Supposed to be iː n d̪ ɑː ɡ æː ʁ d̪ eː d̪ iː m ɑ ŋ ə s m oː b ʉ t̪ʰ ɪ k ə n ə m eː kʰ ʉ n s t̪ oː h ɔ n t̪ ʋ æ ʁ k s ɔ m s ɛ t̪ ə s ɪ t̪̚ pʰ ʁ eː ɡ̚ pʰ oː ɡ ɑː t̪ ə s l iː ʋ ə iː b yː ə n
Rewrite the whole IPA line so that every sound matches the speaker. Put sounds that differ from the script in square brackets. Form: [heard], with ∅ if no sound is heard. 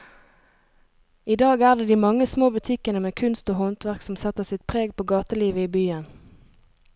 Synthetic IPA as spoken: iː [∅] d̪ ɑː ɡ æː ʁ d̪ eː d̪ iː m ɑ ŋ ə s m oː b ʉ t̪ʰ ɪ k ə n ə m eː kʰ ʉ n s t̪ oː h ɔ n t̪ ʋ æ ʁ k s ɔ m s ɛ t̪ ə s ɪ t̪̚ pʰ ʁ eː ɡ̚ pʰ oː ɡ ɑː t̪ ə [∅] l iː ʋ ə iː b yː ə n

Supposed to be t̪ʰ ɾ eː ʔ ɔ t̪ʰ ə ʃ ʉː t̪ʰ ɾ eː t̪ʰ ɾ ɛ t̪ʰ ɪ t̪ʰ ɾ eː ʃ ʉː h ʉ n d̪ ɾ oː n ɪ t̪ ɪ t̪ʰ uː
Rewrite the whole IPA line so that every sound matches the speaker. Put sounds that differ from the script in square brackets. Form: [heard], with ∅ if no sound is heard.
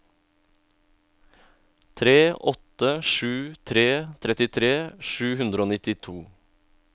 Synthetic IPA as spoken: t̪ʰ ɾ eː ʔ ɔ [t̪] ə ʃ ʉː t̪ʰ ɾ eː t̪ʰ ɾ ɛ [t̪] ɪ t̪ʰ ɾ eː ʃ ʉː h ʉ n d̪ ɾ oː n ɪ t̪ ɪ t̪ʰ uː

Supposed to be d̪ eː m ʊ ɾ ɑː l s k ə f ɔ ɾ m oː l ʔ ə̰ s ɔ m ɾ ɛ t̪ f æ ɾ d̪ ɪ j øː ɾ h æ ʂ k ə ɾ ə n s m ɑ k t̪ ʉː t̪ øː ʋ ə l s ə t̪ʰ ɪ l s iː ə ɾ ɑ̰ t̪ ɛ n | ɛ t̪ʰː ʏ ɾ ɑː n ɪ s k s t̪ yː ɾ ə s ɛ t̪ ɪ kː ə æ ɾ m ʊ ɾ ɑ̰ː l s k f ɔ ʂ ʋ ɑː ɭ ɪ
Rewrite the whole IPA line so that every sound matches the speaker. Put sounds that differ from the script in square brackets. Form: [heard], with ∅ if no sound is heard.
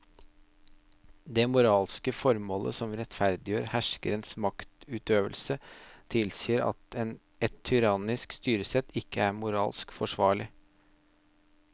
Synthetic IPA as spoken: d̪ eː m ʊ ɾ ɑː l s k ə f ɔ ɾ m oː l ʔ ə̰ s ɔ m ɾ ɛ t̪ f æ ɾ d̪ ɪ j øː ɾ h æ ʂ k ə ɾ ə n s m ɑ k t̪ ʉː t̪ øː ʋ ə l s ə t̪ʰ ɪ l s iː ə ɾ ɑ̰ t̪ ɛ n | ɛ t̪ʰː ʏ ɾ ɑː n ɪ s k s t̪ yː ɾ ə s ɛ t̪ ɪ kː ə æ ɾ m ʊ ɾ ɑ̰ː l s k f ɔ ʂ ʋ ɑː ɭ ɪ

